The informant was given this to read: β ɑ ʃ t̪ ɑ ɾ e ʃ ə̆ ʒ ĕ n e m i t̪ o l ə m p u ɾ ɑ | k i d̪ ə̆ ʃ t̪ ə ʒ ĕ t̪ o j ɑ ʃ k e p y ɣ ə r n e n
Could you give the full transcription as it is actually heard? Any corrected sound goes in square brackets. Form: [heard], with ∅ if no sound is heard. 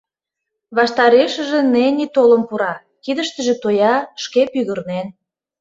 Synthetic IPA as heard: β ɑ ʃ t̪ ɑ ɾ e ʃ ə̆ ʒ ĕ n e [n] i t̪ o l ə m p u ɾ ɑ | k i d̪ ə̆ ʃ t̪ ə ʒ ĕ t̪ o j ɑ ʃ k e p y ɣ ə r n e n